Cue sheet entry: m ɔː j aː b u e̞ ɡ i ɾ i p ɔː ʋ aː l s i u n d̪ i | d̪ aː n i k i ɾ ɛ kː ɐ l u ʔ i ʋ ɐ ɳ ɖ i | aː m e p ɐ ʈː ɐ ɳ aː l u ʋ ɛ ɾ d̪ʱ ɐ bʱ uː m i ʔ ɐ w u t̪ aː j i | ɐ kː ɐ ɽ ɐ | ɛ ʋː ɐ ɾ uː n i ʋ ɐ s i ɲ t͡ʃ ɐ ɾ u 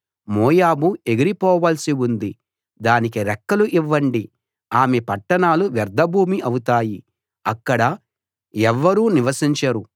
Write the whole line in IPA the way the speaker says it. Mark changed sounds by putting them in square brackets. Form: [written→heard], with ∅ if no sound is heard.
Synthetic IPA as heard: m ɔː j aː b u e̞ ɡ i ɾ i p ɔː ʋ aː l s i u n d̪ i | d̪ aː n i k i ɾ ɛ kː ɐ l u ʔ i [ʋ→ʋː] ɐ ɳ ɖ i | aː m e p ɐ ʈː ɐ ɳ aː l u ʋ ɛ ɾ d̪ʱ ɐ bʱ uː m i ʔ ɐ w u t̪ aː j i | ɐ kː ɐ ɽ ɐ | ɛ ʋː ɐ ɾ uː n i ʋ ɐ s i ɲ t͡ʃ ɐ ɾ u